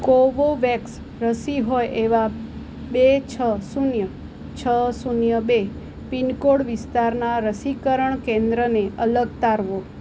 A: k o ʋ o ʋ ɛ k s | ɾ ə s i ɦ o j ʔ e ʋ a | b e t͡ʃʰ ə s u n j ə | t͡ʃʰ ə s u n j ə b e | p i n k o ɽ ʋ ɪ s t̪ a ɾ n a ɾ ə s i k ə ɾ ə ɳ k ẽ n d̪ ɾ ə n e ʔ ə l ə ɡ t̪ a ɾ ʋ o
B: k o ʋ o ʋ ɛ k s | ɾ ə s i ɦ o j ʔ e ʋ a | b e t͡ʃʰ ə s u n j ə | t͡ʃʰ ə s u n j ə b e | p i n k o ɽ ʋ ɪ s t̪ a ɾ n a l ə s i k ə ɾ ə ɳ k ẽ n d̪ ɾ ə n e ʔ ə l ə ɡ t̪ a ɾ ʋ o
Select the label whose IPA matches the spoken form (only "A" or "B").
A